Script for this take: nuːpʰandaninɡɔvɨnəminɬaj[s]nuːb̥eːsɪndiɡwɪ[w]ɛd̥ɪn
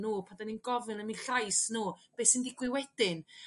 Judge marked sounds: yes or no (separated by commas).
yes, yes